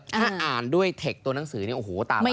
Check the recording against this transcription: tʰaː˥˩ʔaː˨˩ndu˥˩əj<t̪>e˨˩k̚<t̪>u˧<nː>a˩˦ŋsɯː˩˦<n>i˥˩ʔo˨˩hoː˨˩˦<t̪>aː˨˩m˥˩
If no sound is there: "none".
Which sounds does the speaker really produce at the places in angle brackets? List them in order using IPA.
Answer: t̪ʰ, t̪, n, n, t̪

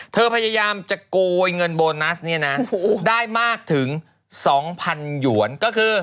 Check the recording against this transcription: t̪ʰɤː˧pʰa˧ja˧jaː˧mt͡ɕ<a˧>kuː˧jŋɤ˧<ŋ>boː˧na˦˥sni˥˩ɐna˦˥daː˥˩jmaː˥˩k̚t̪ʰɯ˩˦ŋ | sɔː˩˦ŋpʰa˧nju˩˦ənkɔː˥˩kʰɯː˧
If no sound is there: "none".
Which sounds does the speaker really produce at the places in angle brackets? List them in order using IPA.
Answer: a˨˩, n

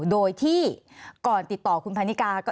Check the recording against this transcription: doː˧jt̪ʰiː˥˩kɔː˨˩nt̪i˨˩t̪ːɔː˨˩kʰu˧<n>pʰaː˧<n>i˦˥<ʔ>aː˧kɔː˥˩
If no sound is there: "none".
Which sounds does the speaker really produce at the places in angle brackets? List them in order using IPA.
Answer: n, n, k

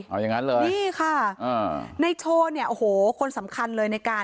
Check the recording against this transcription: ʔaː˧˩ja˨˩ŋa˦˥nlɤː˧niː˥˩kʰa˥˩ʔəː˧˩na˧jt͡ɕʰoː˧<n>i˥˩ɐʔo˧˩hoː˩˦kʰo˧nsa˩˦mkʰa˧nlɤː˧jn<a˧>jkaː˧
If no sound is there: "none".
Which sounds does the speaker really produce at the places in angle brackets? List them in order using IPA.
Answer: n, a˧

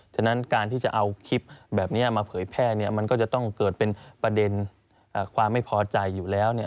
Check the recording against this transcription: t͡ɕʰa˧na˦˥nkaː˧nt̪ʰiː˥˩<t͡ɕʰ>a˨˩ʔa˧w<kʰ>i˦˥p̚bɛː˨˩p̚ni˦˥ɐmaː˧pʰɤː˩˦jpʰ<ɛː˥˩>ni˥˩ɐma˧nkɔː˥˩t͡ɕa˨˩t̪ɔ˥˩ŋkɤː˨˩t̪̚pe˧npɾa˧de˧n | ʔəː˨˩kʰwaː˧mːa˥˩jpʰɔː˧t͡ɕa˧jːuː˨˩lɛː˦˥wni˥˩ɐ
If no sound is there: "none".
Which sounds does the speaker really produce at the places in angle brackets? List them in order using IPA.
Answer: t͡ɕ, kʰ, ɛː˥˩

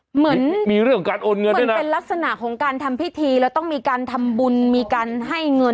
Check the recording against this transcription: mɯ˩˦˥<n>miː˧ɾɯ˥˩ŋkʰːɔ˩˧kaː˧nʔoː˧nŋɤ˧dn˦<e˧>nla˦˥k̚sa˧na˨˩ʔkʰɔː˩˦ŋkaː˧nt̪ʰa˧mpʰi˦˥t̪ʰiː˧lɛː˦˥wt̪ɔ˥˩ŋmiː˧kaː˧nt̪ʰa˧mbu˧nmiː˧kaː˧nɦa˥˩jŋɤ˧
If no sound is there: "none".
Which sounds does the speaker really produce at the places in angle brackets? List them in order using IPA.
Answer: n, e˧

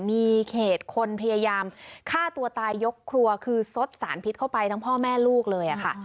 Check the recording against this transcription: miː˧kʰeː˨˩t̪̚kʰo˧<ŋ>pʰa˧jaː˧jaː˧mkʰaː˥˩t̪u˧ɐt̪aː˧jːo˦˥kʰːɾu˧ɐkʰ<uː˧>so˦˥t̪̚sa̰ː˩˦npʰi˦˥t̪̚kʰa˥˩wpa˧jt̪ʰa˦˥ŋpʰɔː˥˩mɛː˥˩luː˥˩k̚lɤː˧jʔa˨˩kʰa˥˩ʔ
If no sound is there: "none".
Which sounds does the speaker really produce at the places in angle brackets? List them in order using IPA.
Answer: n, ɯː˧

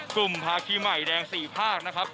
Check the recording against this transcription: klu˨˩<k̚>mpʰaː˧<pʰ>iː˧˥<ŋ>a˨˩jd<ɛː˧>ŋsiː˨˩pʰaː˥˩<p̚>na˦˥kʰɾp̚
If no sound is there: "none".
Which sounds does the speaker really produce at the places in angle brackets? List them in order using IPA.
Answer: none, kʰ, m, ɛː˧, k̚

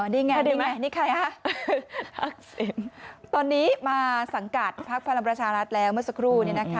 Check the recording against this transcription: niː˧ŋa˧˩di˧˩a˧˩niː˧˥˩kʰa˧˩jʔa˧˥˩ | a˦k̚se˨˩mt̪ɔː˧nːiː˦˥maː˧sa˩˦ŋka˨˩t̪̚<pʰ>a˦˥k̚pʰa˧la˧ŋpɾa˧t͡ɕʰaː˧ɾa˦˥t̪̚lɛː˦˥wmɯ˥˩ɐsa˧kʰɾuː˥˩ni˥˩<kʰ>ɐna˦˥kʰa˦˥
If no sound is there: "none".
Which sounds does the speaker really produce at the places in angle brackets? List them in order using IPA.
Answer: pʰ, none

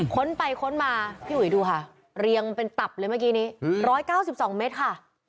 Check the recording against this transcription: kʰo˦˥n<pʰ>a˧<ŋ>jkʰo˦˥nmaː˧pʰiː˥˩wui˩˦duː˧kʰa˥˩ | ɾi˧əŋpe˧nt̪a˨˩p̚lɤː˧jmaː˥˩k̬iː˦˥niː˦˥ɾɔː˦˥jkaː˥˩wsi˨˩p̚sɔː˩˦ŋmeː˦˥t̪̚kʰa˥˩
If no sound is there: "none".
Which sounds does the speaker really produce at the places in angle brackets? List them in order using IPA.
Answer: p, none

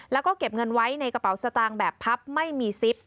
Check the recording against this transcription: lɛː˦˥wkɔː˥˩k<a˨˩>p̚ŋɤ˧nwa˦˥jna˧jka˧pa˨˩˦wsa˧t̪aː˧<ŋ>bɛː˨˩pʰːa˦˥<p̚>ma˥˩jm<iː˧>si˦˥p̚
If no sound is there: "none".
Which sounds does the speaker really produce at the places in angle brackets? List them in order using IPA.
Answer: e˨˩, ŋ, p̚, iː˧

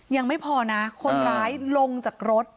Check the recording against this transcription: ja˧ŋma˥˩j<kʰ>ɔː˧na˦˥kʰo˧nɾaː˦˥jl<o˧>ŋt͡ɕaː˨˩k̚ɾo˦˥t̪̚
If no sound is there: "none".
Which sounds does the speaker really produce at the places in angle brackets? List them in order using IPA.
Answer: pʰ, o˧

